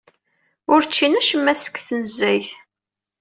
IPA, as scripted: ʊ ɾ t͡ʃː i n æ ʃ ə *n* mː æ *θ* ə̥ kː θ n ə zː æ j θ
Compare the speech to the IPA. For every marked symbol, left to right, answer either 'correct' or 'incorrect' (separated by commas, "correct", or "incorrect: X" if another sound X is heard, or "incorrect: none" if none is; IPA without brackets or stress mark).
incorrect: none, incorrect: s